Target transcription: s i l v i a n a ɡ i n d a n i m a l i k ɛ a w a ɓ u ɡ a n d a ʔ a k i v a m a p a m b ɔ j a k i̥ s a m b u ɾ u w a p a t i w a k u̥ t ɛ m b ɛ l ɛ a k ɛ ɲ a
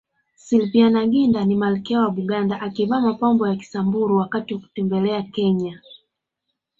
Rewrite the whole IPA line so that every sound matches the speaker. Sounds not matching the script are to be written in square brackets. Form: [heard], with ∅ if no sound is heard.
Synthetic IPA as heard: s i l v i a n a ɡ i n d a n i m a l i k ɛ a w a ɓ u ɡ a n d a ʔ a k i v a m a p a m b ɔ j a k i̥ s a m b u ɾ u w a [k] a t i w a k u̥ t ɛ m b ɛ l ɛ a k ɛ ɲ a